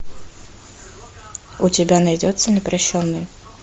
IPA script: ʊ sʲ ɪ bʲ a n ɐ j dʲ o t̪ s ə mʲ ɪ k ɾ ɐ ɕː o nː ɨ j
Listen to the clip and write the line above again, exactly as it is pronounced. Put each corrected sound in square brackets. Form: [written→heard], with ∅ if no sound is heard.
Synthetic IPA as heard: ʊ [sʲ→tʲ] ɪ bʲ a n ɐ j dʲ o t̪ s ə [mʲ→nʲ] ɪ [k→p] ɾ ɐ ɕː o nː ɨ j

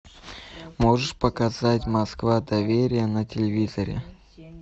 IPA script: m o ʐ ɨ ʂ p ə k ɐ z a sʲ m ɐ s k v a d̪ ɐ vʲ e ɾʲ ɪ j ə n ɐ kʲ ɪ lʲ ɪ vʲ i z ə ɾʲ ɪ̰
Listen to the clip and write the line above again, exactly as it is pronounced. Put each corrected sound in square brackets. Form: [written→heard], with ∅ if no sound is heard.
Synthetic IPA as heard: m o ʐ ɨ ʂ p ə k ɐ z a [sʲ→tʲ] m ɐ s k v a d̪ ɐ vʲ e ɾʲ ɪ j ə n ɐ [kʲ→tʲ] ɪ lʲ ɪ vʲ i z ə ɾʲ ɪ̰

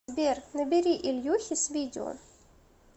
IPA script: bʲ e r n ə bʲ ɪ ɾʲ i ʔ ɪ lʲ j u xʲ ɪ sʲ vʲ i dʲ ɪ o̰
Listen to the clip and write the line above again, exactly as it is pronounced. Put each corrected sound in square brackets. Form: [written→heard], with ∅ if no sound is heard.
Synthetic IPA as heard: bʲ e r n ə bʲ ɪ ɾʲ i ʔ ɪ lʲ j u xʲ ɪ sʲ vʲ i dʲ ɪ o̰

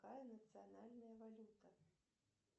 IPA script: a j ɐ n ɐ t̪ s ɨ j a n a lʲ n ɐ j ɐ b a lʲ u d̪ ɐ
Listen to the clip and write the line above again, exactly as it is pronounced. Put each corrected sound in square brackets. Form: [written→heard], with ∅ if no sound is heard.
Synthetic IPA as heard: a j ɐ n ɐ t̪ s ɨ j a n a lʲ n ɐ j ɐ [b→v] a lʲ u [d̪→t̪] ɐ

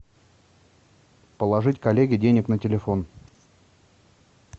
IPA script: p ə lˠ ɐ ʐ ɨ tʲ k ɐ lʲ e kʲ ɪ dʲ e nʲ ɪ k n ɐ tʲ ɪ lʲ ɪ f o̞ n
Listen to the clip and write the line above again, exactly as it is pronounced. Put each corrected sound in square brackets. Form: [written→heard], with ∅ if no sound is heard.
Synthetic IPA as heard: p ə lˠ ɐ ʐ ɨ tʲ k ɐ lʲ e [kʲ→ɡʲ] ɪ dʲ e nʲ ɪ k n [ɐ→ə] tʲ ɪ lʲ ɪ f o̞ n

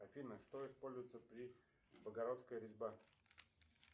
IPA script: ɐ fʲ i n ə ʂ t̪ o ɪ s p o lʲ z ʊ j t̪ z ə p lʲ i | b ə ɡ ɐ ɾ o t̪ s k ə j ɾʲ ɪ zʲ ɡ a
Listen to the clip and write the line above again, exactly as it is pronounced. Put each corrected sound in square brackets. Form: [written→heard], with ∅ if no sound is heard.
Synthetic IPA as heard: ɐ fʲ i n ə ʂ t̪ o ɪ s p o lʲ z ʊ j t̪ [z→s] ə p [lʲ→ɾʲ] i | b ə ɡ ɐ ɾ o t̪ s k ə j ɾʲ ɪ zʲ [ɡ→b] a

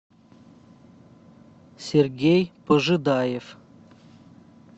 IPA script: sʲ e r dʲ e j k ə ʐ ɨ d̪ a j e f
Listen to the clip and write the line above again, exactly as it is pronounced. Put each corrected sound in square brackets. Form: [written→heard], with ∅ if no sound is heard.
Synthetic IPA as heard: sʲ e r [dʲ→ɡʲ] e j [k→p] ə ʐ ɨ d̪ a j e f

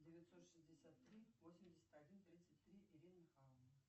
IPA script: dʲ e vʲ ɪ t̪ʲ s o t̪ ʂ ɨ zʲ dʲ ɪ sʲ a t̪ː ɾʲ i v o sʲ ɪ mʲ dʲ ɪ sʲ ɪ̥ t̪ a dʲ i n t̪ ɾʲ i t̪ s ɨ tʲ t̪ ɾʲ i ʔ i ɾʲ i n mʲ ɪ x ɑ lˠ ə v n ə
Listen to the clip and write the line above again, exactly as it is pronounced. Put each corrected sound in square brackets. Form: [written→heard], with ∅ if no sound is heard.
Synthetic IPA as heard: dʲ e vʲ ɪ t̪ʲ s o t̪ ʂ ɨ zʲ dʲ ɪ sʲ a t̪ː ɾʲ i v o sʲ ɪ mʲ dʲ ɪ sʲ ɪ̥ t̪ a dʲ i n t̪ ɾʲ i t̪ s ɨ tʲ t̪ ɾʲ i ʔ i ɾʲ i n mʲ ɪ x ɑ lˠ ə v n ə

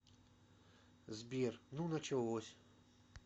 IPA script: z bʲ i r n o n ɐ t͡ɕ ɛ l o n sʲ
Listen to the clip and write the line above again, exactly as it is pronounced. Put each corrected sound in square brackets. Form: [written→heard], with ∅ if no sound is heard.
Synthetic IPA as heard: z bʲ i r n [o→u] n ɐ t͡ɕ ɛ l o [n→∅] sʲ

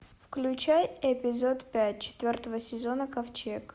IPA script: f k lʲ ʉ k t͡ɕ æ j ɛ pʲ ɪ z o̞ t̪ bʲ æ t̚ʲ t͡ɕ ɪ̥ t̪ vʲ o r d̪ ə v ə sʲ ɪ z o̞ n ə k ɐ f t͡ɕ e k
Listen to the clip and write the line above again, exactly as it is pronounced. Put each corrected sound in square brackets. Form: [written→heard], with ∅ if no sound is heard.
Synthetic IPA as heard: f k lʲ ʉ [k→∅] t͡ɕ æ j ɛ pʲ ɪ z o̞ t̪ [bʲ→pʲ] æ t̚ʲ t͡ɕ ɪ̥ t̪ vʲ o r [d̪→t̪] ə v ə sʲ ɪ z o̞ n ə k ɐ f t͡ɕ e k

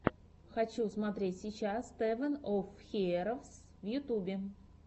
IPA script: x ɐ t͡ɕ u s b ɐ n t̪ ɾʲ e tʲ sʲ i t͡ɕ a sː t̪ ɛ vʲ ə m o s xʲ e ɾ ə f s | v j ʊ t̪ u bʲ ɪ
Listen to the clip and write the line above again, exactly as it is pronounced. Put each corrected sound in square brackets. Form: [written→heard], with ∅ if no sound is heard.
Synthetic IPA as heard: x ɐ t͡ɕ u s [b→m] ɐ [n→∅] t̪ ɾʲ e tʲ sʲ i t͡ɕ a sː t̪ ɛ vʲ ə [m→n] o [s→f] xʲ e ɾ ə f s | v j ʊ t̪ u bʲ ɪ

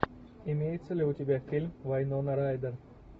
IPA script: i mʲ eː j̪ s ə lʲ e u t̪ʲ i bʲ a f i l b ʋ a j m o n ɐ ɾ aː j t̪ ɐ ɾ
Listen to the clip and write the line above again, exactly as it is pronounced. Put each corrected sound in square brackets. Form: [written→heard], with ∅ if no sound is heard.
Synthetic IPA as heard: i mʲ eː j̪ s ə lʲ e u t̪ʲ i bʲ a f i l [b→m] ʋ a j [m→n] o n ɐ ɾ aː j [t̪→d̪] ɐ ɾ

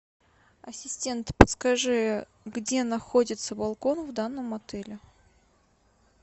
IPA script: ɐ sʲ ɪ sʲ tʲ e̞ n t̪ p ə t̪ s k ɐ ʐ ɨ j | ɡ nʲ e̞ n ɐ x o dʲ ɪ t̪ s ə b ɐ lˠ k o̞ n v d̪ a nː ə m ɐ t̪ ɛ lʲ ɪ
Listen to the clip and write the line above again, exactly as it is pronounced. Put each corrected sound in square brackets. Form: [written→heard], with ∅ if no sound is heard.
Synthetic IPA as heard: ɐ sʲ ɪ sʲ tʲ e̞ n t̪ p ə t̪ s k ɐ ʐ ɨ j | ɡ [nʲ→dʲ] e̞ n ɐ x o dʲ ɪ t̪ s ə b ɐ lˠ k o̞ n v d̪ a nː ə m ɐ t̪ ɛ lʲ ɪ

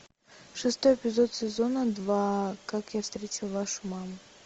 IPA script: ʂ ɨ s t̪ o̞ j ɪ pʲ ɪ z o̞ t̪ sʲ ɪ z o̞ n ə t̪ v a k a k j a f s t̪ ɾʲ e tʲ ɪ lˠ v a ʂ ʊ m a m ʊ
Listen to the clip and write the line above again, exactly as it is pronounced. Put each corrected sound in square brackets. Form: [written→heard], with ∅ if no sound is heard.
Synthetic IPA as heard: ʂ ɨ s t̪ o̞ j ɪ pʲ ɪ z o̞ t̪ sʲ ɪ z o̞ n ə [t̪→d̪] v a k a k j a f s t̪ ɾʲ e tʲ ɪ lˠ v a ʂ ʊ m a m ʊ

